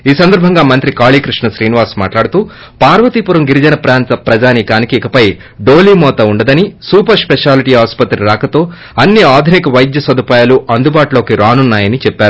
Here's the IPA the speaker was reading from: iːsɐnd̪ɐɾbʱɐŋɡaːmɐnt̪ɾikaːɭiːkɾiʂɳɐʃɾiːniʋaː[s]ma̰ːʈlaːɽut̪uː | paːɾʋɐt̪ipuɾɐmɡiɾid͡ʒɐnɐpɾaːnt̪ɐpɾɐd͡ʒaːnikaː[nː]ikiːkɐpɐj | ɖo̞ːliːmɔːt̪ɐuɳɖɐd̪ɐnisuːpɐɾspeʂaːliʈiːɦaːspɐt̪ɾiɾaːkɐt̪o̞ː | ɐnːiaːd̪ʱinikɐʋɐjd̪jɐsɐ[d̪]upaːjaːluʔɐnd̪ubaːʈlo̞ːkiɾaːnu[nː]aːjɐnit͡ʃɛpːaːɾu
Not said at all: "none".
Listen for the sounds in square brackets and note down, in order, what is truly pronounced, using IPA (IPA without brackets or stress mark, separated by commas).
s, n, d̪, nː